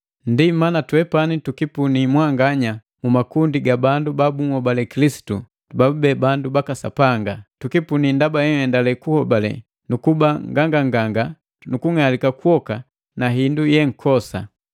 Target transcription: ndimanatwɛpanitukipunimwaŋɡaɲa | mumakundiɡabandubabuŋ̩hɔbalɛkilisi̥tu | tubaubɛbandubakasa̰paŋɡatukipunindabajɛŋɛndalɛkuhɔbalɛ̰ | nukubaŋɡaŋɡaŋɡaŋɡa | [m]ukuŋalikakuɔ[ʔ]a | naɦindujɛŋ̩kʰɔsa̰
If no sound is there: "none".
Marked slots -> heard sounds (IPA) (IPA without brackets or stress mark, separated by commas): n, k